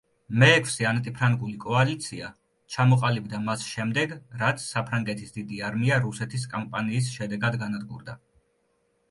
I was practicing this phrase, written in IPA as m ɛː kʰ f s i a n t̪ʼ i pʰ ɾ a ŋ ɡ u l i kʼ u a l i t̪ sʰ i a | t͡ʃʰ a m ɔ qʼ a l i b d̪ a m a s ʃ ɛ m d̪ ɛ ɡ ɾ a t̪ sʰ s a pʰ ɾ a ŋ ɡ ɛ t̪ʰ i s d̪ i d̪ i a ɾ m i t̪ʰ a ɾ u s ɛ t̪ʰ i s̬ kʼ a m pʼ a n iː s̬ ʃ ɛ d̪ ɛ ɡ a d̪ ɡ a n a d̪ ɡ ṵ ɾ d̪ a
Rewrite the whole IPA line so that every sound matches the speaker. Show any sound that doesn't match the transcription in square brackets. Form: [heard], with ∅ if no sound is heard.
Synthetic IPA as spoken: m ɛː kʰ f s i a n t̪ʼ i pʰ ɾ a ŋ ɡ u l i kʼ [ɔ] a l i t̪ sʰ i a | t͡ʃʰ a m ɔ qʼ a l i b d̪ a m a s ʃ ɛ m d̪ ɛ ɡ ɾ a t̪ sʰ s a pʰ ɾ a ŋ ɡ ɛ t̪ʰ i s d̪ i d̪ i a ɾ m i [∅] a ɾ u s ɛ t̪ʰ i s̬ kʼ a m pʼ a n iː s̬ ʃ ɛ d̪ ɛ ɡ a d̪ ɡ a n a d̪ ɡ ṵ ɾ d̪ a

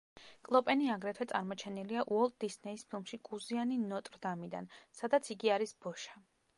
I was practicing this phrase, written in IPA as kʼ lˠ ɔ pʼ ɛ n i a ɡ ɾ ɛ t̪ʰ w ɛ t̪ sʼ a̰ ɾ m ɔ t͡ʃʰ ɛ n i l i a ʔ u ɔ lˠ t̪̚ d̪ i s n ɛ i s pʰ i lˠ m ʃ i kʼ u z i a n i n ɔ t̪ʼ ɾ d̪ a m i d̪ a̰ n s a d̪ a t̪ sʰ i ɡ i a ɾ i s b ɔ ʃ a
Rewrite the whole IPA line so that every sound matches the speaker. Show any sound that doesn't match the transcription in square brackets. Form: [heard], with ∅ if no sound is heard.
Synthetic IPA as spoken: kʼ lˠ ɔ pʼ ɛ n i a ɡ ɾ ɛ t̪ʰ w ɛ t̪ sʼ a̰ ɾ m ɔ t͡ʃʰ ɛ n i l i a ʔ u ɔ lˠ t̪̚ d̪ i s n ɛ i s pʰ i lˠ m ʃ i kʼ u z i a n i n ɔ t̪ʼ ɾ d̪ a m i d̪ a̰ n s a d̪ a t̪ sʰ i ɡ i a ɾ i s b ɔ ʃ a

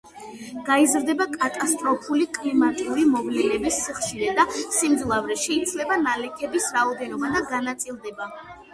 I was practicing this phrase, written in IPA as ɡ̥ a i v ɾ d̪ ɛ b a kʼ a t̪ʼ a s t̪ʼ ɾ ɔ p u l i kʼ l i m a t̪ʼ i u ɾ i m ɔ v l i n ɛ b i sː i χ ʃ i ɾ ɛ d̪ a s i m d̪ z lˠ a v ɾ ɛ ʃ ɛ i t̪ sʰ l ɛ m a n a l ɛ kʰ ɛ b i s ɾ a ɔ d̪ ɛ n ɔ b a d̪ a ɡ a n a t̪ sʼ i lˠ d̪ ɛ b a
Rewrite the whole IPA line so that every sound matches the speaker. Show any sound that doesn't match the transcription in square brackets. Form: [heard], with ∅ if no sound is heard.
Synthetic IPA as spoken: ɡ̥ a i [z] ɾ d̪ ɛ b a kʼ a t̪ʼ a s t̪ʼ ɾ ɔ [pʰ] u l i kʼ l i m a t̪ʼ i u ɾ i m ɔ v l [ɛ] n ɛ b i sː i χ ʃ i ɾ ɛ d̪ a s i m d̪ z lˠ a v ɾ ɛ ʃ ɛ i t̪ sʰ l ɛ [b] a n a l ɛ kʰ ɛ b i s ɾ a ɔ d̪ ɛ n ɔ b a d̪ a ɡ a n a t̪ sʼ i lˠ d̪ ɛ b a

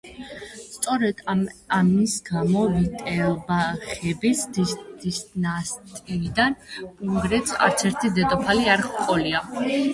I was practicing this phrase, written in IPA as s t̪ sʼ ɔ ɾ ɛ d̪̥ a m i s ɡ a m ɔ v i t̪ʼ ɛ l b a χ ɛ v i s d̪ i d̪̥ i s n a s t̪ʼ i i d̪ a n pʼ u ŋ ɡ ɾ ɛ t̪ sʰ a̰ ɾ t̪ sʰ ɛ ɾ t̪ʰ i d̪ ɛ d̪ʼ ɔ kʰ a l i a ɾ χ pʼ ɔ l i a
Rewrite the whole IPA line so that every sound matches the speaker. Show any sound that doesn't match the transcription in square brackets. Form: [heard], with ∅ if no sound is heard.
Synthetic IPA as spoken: s t̪ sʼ ɔ ɾ ɛ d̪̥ a m i s ɡ a m ɔ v i t̪ʼ ɛ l b a χ ɛ [b] i s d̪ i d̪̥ i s n a s t̪ʼ i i d̪ a n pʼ u ŋ ɡ ɾ ɛ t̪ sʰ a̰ ɾ t̪ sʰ ɛ ɾ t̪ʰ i d̪ ɛ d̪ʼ ɔ [pʰ] a l i a ɾ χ [qʼ] ɔ l i a

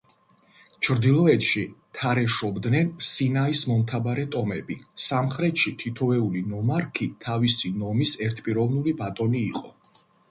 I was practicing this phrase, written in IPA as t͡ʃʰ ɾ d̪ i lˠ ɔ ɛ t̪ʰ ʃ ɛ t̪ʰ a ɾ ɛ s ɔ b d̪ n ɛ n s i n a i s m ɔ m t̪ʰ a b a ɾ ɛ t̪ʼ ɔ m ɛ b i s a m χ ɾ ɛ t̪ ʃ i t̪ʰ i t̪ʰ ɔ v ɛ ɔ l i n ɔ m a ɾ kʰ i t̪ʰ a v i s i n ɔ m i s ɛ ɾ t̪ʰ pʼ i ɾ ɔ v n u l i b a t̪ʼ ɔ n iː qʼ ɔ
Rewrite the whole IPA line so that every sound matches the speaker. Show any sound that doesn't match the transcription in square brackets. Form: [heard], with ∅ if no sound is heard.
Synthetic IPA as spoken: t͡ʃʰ ɾ d̪ i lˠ ɔ ɛ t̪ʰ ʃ [i] t̪ʰ a ɾ ɛ [ʃ] ɔ b d̪ n ɛ n s i n a i s m ɔ m t̪ʰ a b a ɾ ɛ t̪ʼ ɔ m ɛ b i s a m χ ɾ ɛ t̪ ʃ i t̪ʰ i t̪ʰ ɔ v ɛ [u] l i n ɔ m a ɾ kʰ i t̪ʰ a v i s i n ɔ m i s ɛ ɾ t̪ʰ pʼ i ɾ ɔ v n u l i b a t̪ʼ ɔ n iː qʼ ɔ

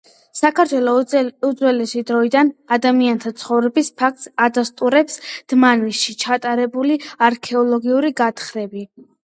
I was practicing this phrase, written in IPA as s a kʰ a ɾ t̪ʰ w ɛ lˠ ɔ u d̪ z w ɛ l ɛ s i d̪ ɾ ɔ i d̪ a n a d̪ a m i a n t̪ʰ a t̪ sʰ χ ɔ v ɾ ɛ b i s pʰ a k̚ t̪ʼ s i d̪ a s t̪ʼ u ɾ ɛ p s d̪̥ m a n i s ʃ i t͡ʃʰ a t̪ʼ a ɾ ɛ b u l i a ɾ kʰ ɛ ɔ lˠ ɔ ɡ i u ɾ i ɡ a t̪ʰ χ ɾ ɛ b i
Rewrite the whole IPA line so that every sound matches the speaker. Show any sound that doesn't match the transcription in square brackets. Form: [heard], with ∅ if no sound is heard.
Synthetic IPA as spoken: s a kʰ a ɾ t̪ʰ w ɛ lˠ ɔ u d̪ z w ɛ l ɛ s i d̪ ɾ ɔ i d̪ a n a d̪ a m i a n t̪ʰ a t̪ sʰ χ ɔ v ɾ ɛ b i s pʰ a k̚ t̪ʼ s [a] d̪ a s t̪ʼ u ɾ ɛ p s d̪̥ m a n i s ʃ i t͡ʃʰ a t̪ʼ a ɾ ɛ b u l i a ɾ kʰ ɛ ɔ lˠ ɔ ɡ i u ɾ i ɡ a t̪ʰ χ ɾ ɛ b i

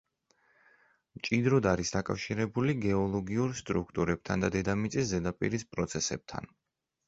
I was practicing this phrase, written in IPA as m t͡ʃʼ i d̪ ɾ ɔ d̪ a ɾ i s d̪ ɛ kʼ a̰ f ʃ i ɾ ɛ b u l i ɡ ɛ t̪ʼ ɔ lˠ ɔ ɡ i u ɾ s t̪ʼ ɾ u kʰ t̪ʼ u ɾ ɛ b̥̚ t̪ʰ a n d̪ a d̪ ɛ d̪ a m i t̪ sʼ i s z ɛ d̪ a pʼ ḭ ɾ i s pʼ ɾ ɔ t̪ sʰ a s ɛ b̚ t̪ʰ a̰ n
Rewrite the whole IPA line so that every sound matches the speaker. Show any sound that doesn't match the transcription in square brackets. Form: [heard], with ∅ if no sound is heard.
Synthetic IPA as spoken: m t͡ʃʼ i d̪ ɾ ɔ d̪ a ɾ i s d̪ [a] kʼ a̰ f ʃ i ɾ ɛ b u l i ɡ ɛ [∅] ɔ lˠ ɔ ɡ i u ɾ s t̪ʼ ɾ u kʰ t̪ʼ u ɾ ɛ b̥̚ t̪ʰ a n d̪ a d̪ ɛ d̪ a m i t̪ sʼ i s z ɛ d̪ a pʼ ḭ ɾ i s pʼ ɾ ɔ t̪ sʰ [ɛ] s ɛ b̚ t̪ʰ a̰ n

